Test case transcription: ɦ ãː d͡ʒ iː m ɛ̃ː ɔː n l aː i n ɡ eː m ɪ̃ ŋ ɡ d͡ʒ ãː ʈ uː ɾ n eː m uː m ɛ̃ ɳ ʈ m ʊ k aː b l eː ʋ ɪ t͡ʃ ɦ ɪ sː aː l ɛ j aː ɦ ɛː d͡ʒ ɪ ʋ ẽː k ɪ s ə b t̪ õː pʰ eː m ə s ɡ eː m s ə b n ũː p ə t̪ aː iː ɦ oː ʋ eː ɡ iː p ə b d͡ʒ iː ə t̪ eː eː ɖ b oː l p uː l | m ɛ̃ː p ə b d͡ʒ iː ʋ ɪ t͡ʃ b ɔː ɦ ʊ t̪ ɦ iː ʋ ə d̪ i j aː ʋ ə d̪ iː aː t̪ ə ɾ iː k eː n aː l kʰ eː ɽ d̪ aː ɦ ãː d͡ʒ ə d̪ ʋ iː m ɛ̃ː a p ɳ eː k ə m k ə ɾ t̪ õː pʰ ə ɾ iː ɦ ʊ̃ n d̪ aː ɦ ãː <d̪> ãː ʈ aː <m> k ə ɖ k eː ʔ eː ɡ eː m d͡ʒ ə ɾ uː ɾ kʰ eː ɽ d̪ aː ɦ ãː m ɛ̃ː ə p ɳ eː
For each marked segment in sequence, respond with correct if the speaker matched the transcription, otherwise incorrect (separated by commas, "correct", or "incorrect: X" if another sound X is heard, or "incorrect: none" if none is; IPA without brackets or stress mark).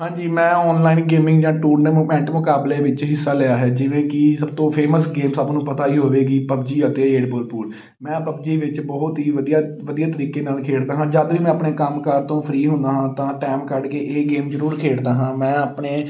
incorrect: t̪, correct